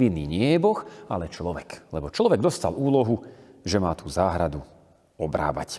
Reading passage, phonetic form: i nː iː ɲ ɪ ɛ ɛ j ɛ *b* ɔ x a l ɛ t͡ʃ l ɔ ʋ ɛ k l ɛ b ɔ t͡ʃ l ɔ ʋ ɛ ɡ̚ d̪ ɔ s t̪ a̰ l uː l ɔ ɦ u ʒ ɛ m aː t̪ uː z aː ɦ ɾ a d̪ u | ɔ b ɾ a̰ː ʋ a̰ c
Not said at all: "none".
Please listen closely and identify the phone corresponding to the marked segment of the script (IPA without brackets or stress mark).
b